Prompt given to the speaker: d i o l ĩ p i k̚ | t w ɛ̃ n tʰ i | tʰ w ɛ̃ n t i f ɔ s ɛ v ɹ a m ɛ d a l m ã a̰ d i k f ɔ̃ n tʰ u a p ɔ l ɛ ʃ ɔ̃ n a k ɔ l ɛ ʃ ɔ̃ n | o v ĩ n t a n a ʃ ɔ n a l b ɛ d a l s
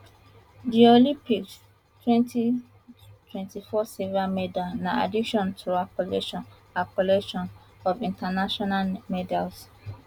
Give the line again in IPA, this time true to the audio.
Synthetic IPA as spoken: d i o l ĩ p i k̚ | t w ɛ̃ n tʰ i | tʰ w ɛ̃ n t i f ɔ s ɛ v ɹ a m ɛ d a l n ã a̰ d i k ʃ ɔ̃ n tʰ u a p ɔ l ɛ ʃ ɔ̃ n a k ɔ l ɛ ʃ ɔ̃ n | ɔ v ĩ n t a n a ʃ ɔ n a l m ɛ d a l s